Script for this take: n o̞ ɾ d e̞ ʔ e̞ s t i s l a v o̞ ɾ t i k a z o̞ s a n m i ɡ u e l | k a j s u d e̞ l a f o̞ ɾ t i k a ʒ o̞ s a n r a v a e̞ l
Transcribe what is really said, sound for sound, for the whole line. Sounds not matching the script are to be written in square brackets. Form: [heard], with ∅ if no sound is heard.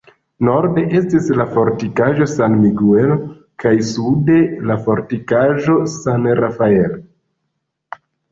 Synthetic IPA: n o̞ ɾ d e̞ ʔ e̞ s t i s l a [f] o̞ ɾ t i k a [ʒ] o̞ s a n m i ɡ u e l | k a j s u d e̞ l a f o̞ ɾ t i k a ʒ o̞ s a n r a [f] a e̞ l